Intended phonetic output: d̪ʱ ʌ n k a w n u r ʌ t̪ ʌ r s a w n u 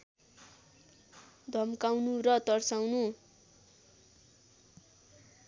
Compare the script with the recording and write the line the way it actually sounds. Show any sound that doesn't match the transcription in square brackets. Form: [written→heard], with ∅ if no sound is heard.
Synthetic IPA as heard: d̪ʱ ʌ [n→m] k a w n u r ʌ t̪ ʌ r s a w n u